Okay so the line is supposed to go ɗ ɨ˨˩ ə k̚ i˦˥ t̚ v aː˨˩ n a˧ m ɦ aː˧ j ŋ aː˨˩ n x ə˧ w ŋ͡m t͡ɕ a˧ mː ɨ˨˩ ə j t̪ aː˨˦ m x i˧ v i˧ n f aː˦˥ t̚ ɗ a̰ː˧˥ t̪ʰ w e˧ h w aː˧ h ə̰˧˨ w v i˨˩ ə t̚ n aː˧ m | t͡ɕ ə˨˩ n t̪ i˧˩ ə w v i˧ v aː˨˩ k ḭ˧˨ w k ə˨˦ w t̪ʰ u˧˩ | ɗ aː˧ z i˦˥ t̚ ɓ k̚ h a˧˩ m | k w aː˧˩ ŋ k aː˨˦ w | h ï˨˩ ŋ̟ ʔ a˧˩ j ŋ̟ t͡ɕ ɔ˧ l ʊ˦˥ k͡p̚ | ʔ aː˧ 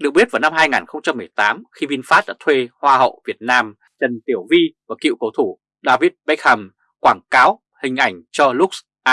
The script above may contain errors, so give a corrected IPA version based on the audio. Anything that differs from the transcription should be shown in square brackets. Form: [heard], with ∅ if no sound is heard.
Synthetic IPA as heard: ɗ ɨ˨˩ ə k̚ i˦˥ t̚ v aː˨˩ n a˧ m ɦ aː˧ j ŋ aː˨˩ n x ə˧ w ŋ͡m t͡ɕ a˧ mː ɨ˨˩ ə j t̪ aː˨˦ m x i˧ v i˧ n f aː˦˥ t̚ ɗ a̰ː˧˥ t̪ʰ w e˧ h w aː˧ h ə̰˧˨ w v i˨˩ ə t̚ n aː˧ m | t͡ɕ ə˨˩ n t̪ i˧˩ ə w v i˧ v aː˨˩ k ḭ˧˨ w k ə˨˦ w t̪ʰ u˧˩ | ɗ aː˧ [v] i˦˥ t̚ ɓ k̚ h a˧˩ m | k w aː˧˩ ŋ k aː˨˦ w | h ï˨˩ ŋ̟ ʔ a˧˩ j ŋ̟ t͡ɕ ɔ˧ l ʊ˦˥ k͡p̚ | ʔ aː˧